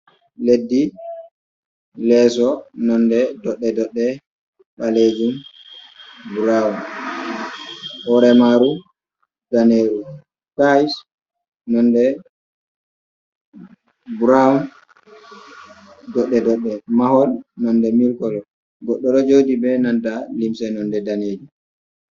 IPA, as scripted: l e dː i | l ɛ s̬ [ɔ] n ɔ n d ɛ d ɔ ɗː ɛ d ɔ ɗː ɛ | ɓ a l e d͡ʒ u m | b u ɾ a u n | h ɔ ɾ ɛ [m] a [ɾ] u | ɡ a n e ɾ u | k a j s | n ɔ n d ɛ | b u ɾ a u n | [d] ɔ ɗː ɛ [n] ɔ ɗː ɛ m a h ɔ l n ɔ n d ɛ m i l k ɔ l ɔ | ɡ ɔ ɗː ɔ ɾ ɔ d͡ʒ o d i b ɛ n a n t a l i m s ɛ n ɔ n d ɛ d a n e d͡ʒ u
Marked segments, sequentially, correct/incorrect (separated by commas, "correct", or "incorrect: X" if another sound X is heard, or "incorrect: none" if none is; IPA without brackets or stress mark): correct, correct, correct, correct, incorrect: d